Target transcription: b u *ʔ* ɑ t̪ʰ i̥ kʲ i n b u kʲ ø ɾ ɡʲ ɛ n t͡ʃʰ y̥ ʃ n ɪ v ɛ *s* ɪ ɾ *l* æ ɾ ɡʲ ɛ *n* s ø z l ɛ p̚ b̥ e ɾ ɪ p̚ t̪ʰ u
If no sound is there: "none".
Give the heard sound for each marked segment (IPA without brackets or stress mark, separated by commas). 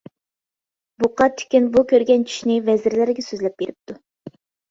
q, z, l, none